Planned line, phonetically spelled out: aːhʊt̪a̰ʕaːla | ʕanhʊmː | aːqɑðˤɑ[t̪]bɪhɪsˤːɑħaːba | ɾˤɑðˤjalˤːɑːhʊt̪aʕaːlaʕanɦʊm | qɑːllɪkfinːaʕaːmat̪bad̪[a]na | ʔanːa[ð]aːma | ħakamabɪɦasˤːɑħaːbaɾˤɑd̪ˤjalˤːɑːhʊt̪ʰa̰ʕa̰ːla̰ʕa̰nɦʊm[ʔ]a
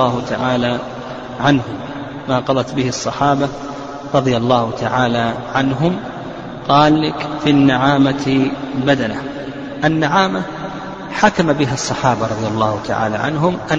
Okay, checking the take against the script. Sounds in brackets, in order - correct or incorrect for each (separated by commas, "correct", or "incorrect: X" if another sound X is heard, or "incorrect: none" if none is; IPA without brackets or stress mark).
correct, correct, incorrect: ʕ, correct